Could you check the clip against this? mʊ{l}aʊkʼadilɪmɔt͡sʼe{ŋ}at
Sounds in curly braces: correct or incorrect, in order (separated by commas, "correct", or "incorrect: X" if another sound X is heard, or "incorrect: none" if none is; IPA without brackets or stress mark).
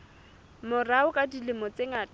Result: incorrect: r, correct